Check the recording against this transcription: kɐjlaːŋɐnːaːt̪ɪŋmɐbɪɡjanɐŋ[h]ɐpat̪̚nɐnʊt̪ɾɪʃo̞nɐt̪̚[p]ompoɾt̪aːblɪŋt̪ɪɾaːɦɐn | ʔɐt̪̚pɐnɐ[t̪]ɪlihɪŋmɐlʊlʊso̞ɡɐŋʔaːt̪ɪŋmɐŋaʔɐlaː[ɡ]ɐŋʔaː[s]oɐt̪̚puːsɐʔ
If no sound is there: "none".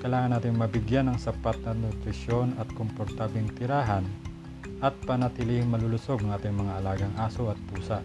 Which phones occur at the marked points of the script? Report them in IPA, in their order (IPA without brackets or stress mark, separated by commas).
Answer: s, k, t̪, ɡ, s